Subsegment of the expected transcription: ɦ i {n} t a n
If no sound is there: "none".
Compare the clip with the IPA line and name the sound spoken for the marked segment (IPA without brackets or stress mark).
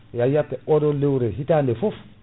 none